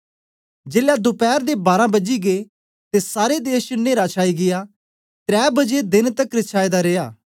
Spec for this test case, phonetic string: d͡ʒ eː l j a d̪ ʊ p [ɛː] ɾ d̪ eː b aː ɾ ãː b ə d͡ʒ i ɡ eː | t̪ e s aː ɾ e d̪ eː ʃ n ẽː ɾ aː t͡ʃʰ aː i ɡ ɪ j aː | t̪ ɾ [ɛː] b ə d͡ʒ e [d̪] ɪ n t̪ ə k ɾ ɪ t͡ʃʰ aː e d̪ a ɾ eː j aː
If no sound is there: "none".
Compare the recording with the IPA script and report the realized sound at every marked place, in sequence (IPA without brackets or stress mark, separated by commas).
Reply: ɛː, ɛː, d̪